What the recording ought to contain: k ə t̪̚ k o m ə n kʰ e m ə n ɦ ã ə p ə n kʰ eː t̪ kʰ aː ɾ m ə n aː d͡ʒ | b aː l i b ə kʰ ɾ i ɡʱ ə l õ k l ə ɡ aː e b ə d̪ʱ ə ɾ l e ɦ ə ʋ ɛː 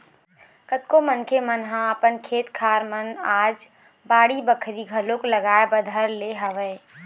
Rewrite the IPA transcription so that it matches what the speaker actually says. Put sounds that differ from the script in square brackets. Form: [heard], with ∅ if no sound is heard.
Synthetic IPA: k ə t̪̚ k o m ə n kʰ e m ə n ɦ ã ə p ə n kʰ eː t̪ kʰ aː ɾ m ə n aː d͡ʒ | b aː [ɽ] i b ə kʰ ɾ i ɡʱ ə l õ k l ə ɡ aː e b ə d̪ʱ ə ɾ l e ɦ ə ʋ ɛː